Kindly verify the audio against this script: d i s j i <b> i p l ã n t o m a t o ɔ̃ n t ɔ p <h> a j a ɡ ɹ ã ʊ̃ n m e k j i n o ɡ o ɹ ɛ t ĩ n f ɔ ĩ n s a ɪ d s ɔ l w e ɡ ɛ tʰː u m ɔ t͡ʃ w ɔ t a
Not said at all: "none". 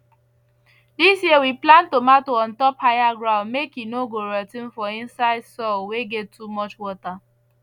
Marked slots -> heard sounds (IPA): w, h

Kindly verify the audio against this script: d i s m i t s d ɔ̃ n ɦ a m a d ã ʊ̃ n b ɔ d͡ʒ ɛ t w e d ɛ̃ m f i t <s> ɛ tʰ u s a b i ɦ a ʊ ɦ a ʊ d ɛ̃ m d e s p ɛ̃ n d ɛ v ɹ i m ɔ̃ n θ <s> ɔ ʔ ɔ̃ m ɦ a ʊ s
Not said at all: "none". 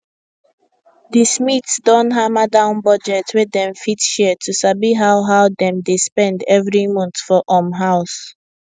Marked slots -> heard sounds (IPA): ʃ, f

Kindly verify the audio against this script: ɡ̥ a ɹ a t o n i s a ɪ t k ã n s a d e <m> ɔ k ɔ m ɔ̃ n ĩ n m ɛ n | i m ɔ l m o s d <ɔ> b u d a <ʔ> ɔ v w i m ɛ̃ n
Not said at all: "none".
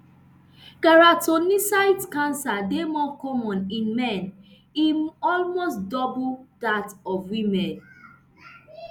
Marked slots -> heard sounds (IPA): m, ɔ, t

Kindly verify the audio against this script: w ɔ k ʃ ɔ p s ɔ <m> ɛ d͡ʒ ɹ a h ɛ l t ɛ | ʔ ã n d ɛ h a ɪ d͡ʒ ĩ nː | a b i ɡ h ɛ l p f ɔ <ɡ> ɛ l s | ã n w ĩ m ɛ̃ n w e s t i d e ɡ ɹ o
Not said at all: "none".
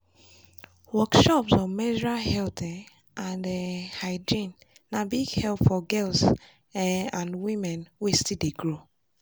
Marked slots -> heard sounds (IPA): m, ɡ

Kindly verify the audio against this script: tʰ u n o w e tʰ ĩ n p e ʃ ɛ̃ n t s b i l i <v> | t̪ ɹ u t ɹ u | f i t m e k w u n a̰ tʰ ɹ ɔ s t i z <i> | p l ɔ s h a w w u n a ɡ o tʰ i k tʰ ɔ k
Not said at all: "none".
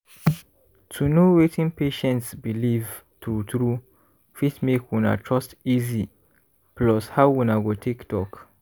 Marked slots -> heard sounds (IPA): v, i

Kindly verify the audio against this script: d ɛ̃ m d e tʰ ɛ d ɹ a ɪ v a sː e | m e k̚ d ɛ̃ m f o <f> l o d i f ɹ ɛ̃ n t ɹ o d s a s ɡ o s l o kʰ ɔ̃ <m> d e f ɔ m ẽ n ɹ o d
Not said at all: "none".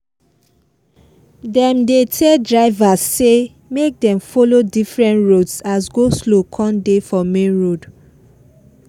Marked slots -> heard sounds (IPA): none, n

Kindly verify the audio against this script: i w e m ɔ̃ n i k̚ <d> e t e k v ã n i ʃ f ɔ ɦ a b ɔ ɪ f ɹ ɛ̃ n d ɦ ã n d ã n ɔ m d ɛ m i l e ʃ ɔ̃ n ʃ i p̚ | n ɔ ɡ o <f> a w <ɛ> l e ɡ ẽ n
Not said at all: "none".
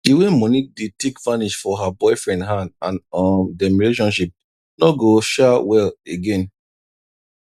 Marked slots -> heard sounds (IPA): d, ʃ, ɛ

